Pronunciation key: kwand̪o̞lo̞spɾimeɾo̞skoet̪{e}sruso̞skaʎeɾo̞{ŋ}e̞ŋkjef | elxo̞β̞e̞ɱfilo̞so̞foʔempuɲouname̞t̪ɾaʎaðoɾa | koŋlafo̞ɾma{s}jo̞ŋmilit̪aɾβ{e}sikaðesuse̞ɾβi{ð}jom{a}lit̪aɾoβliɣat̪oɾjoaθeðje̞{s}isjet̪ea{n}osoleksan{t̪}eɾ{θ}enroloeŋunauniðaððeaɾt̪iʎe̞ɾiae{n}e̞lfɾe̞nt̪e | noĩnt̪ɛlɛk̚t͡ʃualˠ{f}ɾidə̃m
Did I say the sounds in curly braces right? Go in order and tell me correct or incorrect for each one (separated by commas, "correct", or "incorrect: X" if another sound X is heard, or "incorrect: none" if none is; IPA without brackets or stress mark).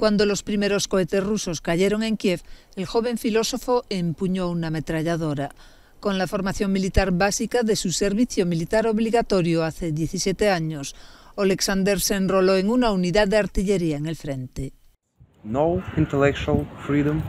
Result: correct, correct, incorrect: θ, incorrect: a, incorrect: θ, incorrect: i, incorrect: θ, incorrect: ɲ, incorrect: d̪, incorrect: s, incorrect: ŋ, correct